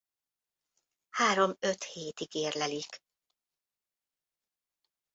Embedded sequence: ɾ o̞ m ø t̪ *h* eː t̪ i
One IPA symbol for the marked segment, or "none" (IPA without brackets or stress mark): h